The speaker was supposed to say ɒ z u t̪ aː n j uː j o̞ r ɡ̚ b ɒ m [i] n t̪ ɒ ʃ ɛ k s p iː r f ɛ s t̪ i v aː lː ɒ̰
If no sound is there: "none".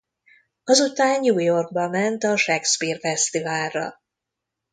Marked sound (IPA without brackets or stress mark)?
ɛ